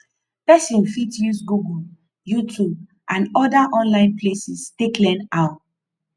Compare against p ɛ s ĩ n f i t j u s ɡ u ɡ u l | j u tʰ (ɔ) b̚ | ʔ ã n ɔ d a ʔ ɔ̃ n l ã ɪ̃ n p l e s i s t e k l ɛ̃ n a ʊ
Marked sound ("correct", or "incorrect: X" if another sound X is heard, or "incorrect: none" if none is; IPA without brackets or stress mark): incorrect: u